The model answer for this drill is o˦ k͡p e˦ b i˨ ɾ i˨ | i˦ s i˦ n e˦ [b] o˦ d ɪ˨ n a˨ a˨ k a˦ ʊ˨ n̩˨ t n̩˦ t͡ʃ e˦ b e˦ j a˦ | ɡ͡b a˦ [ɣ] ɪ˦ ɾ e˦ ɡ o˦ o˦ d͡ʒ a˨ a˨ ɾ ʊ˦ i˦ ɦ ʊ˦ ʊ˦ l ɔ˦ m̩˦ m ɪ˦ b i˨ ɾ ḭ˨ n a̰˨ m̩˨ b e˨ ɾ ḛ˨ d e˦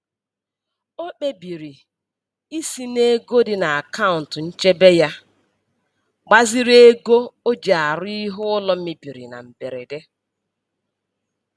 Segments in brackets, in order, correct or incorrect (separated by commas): incorrect, incorrect